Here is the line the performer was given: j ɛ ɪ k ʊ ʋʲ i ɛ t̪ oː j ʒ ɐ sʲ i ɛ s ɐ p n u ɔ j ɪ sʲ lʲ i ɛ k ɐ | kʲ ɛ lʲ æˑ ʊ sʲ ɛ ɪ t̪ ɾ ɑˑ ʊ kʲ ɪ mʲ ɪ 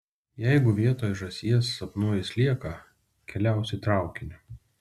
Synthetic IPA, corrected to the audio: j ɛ ɪ ɡ ʊ ʋʲ i ɛ t̪ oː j ʒ ɐ sʲ i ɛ s ɐ p n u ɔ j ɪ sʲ lʲ i ɛ k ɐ | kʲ ɛ lʲ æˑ ʊ sʲ ɛ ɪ t̪ ɾ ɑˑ ʊ kʲ ɪ nʲ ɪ